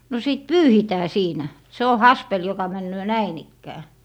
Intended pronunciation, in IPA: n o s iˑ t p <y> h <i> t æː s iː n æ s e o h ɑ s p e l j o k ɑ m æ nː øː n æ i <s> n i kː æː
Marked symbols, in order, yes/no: no, yes, no

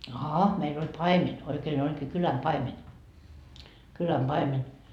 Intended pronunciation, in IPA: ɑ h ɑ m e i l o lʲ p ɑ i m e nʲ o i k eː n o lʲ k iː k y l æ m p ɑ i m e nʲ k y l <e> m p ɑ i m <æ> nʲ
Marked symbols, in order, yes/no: no, no

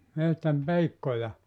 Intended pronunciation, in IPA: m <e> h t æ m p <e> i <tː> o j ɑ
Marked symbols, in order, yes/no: yes, yes, no

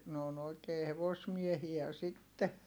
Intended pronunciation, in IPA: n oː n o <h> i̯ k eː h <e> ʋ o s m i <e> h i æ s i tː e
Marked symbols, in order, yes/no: no, yes, yes

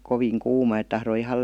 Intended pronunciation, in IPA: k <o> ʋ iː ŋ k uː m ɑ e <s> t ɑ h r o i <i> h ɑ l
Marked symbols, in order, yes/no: yes, no, yes

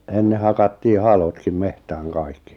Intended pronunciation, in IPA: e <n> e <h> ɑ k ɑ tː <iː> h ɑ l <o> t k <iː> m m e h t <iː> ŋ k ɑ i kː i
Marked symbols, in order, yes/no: no, yes, yes, yes, no, no

